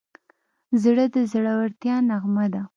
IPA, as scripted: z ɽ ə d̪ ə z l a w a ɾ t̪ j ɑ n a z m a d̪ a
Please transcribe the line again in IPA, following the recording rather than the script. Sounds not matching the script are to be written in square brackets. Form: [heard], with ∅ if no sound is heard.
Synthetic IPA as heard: z ɽ ə d̪ ə z [ɽ] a w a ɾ t̪ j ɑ n a [ɣ] m a d̪ a